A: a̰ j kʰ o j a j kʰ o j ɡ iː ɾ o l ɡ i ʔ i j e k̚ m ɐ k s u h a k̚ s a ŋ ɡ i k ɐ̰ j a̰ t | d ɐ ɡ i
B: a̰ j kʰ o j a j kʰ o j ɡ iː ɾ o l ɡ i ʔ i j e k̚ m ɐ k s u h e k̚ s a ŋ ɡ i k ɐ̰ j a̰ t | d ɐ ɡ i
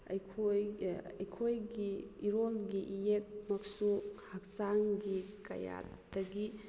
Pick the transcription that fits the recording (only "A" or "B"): A